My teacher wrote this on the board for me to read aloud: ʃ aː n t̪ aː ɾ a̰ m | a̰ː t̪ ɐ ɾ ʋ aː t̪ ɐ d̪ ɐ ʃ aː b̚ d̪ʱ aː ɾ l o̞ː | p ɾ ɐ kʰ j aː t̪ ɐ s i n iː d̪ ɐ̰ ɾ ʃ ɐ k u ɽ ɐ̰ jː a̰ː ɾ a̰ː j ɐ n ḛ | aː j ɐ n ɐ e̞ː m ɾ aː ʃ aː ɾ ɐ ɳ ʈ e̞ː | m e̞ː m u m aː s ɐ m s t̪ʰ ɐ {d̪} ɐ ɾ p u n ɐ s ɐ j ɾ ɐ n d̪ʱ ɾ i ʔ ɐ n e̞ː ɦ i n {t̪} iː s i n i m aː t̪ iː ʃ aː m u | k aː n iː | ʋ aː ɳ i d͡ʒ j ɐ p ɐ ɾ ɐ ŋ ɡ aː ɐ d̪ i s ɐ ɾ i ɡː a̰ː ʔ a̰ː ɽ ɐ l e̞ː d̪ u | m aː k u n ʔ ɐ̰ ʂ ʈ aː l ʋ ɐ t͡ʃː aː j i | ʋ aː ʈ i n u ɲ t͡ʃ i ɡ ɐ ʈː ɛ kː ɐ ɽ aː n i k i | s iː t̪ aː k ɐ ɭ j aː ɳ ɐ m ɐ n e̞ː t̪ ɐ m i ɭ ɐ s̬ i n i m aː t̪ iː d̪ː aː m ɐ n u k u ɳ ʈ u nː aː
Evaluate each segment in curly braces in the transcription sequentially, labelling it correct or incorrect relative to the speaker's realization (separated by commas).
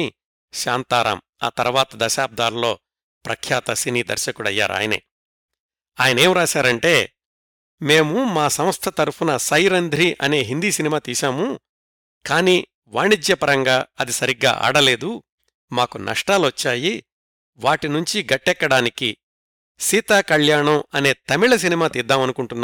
incorrect, incorrect